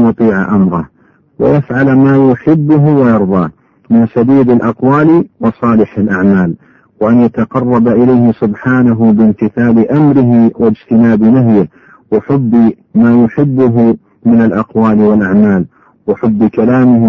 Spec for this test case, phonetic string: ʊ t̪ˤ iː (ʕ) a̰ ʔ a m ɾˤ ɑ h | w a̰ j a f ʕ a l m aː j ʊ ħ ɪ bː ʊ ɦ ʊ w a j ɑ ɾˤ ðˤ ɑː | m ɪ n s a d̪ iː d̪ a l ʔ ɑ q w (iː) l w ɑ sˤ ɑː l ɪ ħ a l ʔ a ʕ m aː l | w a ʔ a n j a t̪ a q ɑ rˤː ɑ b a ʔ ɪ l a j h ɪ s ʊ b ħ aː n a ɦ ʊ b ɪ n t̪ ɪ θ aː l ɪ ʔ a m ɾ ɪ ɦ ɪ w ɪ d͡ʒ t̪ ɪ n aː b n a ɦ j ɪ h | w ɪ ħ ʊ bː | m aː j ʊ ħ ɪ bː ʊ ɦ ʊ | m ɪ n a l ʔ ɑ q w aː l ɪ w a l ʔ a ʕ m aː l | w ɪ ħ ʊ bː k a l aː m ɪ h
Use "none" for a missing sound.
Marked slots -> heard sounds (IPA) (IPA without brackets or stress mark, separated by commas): ʕ, aː